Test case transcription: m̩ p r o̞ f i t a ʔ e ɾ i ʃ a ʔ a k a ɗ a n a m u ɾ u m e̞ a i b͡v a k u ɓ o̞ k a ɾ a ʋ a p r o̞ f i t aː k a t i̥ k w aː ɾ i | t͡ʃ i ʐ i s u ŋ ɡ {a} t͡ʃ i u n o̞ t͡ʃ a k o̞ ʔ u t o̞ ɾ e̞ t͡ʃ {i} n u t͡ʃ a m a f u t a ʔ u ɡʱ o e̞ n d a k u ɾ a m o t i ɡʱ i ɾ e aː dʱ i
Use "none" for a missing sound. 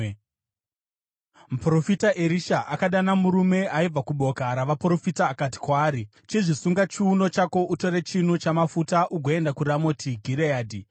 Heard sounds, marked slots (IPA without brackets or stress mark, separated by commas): a, i